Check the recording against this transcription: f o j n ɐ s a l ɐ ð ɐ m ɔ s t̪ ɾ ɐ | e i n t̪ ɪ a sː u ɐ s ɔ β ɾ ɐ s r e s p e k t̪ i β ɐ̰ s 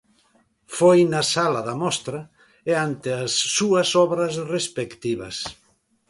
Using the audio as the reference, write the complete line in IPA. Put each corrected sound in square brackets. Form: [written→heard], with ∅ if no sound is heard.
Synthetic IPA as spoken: f o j n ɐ s a l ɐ ð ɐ m ɔ s t̪ ɾ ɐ | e [i→a] n t̪ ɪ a sː u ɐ s ɔ β ɾ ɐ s r e s p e k t̪ i β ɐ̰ s

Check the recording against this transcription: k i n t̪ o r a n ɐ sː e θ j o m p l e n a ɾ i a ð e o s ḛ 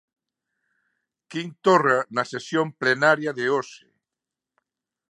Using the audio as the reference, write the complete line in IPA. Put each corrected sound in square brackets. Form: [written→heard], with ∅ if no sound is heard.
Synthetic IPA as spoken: k i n t̪ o r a n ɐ [sː→s] e [θ→s] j o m p l e n a ɾ [i→j] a ð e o s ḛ

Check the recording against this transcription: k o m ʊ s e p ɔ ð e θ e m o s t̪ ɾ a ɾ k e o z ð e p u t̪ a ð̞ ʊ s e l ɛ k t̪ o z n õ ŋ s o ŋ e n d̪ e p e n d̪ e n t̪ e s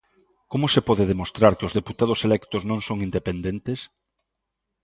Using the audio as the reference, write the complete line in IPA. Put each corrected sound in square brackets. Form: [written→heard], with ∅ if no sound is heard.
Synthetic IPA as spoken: k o m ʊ s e p ɔ ð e [θ→ð] e m o s t̪ ɾ a ɾ k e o z ð e p u t̪ a ð̞ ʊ s e l ɛ k t̪ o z n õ ŋ s o ŋ [e→i] n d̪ e p e n d̪ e n t̪ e s

